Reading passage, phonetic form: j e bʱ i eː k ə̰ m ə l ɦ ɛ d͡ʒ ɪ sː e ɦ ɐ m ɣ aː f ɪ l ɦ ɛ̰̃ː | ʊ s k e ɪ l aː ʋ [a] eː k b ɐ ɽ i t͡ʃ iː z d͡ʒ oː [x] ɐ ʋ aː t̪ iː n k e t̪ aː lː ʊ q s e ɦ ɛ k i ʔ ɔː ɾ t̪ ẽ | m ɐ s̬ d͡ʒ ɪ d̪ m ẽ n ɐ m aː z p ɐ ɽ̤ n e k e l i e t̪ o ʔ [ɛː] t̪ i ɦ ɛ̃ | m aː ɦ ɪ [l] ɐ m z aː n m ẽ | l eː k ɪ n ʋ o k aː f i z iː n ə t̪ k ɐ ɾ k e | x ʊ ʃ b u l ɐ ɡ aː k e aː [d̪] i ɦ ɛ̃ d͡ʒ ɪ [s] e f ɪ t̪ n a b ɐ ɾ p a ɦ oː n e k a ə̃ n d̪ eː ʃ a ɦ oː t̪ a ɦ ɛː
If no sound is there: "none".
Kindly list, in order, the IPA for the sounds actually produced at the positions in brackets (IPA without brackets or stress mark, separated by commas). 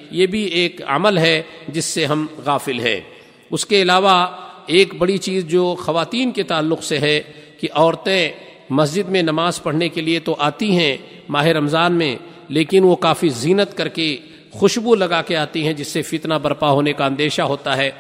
a, x, aː, ɾ, t̪, sː